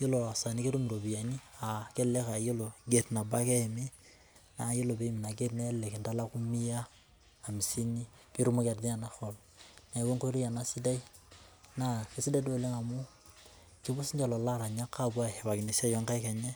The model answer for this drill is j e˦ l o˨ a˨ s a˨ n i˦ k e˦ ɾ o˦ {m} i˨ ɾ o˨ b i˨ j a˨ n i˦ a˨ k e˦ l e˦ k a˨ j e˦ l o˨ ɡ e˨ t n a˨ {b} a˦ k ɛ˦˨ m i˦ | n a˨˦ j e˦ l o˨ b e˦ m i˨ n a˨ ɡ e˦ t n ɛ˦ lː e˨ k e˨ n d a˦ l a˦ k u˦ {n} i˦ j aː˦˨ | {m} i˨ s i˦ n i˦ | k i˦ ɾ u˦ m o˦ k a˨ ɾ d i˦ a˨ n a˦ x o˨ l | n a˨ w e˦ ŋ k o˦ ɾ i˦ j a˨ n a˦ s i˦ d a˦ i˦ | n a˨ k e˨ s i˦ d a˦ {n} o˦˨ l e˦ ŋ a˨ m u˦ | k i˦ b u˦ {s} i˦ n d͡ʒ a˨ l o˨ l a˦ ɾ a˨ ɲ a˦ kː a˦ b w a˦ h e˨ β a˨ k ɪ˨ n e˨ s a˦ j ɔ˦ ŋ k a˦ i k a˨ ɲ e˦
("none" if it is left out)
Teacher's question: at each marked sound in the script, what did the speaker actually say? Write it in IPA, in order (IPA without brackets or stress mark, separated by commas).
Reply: m, b, m, m, d, s